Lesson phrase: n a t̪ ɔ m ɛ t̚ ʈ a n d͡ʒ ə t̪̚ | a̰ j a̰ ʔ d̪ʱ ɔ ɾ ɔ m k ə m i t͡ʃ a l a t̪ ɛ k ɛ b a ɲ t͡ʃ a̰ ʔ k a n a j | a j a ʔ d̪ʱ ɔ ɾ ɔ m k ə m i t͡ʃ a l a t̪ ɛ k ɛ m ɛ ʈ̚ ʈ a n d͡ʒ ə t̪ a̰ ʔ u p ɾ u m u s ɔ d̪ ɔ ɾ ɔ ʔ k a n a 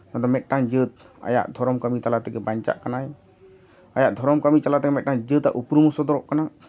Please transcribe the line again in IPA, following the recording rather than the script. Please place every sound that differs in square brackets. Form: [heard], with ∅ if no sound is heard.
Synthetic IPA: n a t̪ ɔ m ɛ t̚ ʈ a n d͡ʒ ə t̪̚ | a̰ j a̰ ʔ d̪ʱ ɔ ɾ ɔ m k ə m i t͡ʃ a l a t̪ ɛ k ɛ b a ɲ t͡ʃ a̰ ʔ k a n a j | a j a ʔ d̪ʱ ɔ ɾ ɔ m k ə m i t͡ʃ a l a t̪ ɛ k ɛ m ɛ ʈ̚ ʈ a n d͡ʒ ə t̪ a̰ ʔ u p ɾ u m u s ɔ d̪ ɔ ɾ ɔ ʔ k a n a